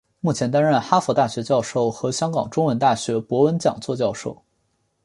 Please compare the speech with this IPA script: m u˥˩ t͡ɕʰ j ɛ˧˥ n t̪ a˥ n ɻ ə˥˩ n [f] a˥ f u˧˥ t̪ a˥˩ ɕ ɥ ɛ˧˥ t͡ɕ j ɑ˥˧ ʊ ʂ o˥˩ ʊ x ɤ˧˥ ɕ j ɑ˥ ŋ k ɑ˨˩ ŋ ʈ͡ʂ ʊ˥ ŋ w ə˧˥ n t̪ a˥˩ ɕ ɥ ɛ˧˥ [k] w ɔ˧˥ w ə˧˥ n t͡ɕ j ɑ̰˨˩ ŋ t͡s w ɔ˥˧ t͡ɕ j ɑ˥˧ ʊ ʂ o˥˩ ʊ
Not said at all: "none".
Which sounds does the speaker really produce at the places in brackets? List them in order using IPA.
x, p

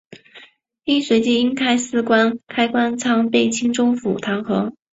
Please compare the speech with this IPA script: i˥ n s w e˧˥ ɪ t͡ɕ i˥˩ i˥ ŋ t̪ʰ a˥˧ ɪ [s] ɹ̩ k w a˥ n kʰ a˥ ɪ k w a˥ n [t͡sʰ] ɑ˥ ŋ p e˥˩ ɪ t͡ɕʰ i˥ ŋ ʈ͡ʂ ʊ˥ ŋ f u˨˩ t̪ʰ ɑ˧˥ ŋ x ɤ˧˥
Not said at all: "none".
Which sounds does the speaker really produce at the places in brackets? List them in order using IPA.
s, t͡sʰ

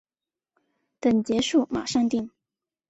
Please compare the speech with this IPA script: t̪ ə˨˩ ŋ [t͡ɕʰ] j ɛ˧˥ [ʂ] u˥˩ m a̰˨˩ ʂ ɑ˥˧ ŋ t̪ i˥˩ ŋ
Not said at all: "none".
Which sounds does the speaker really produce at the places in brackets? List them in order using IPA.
t͡ɕ, ʂ

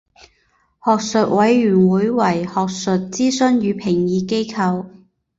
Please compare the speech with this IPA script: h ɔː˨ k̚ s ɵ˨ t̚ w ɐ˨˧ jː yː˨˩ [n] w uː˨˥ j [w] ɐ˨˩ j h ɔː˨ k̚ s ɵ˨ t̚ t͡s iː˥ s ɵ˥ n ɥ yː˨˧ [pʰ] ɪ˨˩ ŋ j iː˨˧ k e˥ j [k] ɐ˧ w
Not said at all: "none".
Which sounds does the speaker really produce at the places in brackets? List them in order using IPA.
n, w, pʰ, kʰ

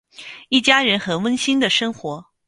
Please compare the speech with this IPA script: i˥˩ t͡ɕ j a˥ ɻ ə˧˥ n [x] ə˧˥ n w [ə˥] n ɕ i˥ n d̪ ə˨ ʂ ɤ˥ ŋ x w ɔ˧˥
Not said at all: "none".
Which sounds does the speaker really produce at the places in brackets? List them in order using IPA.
x, ə˥

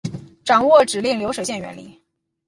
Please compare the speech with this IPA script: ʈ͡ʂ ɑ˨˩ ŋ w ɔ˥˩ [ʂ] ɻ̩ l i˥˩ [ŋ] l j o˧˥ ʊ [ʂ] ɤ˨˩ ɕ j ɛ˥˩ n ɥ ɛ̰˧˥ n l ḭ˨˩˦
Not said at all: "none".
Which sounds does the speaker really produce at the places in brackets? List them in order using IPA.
ʈ͡ʂ, ŋ, ʂ

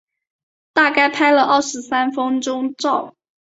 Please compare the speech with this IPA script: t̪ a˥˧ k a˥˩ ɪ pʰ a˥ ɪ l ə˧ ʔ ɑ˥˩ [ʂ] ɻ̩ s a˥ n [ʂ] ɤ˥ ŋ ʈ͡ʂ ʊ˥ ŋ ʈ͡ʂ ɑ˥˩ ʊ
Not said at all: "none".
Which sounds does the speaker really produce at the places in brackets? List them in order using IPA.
ʂ, f

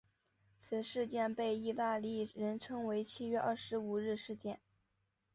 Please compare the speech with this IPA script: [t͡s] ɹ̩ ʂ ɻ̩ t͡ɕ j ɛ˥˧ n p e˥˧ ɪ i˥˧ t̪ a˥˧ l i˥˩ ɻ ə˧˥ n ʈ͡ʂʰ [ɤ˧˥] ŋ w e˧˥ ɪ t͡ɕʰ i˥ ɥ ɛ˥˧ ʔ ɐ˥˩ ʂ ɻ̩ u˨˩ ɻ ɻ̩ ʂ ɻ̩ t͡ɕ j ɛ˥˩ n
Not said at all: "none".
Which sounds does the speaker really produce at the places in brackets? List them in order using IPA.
t͡sʰ, ɤ˥

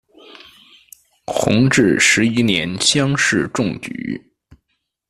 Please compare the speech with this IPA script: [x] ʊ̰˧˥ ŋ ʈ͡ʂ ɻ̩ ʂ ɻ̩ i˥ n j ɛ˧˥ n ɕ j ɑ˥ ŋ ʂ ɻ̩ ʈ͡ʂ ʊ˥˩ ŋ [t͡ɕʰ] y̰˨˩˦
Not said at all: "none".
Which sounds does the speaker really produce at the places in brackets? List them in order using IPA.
x, t͡ɕ

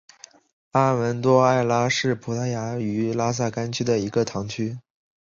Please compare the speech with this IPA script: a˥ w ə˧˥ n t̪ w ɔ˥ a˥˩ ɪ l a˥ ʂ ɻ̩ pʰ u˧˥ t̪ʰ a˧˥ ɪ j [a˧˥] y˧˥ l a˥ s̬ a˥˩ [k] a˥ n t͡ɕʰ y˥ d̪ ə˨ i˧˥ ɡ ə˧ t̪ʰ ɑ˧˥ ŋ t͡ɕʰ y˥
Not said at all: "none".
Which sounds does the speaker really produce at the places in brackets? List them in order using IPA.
a˧˥, k

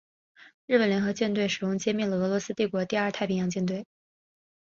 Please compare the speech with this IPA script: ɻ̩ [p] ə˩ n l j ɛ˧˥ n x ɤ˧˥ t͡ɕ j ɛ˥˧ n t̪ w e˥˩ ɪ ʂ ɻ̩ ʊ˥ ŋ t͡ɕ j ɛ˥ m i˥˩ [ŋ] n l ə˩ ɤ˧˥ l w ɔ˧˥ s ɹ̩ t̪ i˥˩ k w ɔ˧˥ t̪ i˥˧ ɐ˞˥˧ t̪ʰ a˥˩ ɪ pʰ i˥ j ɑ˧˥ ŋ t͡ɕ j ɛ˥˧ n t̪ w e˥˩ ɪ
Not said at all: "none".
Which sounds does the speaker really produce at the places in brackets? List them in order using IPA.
p, none

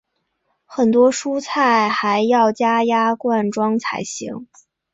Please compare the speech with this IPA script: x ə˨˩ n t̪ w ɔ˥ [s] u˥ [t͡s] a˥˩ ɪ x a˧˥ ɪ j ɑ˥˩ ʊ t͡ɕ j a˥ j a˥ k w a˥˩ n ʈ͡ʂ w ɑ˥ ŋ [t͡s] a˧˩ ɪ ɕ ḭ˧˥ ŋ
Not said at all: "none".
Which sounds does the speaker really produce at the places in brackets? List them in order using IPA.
ʂ, t͡sʰ, t͡sʰ

